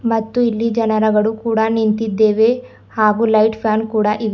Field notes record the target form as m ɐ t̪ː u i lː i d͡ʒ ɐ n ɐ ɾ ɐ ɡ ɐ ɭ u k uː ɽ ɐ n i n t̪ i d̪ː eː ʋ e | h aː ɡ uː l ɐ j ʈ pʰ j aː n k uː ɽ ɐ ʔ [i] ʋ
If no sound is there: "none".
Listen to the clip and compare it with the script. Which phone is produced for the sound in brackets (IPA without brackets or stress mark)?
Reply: i